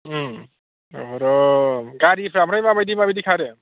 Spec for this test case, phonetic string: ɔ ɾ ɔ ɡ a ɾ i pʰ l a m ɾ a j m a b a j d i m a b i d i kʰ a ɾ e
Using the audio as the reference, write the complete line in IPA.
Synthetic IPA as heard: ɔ ɾ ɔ ɡ a ɾ i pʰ ɾ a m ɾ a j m a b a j d i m a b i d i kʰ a ɾ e